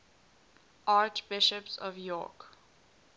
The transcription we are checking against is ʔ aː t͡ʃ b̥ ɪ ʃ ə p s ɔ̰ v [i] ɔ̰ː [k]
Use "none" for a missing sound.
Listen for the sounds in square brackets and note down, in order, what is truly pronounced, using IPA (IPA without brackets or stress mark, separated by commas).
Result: j, k